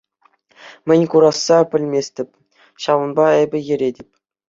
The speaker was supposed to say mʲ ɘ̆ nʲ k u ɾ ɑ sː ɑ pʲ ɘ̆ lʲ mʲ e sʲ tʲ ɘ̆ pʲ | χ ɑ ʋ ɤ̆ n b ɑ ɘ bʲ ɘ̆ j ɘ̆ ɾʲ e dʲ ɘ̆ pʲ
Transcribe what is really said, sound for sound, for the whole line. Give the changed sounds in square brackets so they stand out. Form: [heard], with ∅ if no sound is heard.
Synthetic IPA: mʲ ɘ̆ nʲ k u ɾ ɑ sː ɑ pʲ ɘ̆ lʲ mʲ e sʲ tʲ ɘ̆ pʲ | [ɕ] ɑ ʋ ɤ̆ n b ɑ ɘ bʲ ɘ̆ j ɘ̆ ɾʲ e dʲ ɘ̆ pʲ